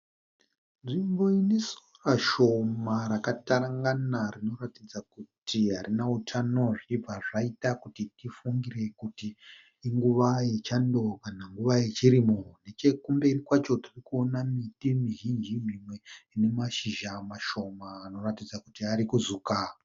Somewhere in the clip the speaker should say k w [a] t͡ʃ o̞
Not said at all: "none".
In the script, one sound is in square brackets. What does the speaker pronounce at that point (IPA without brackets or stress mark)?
a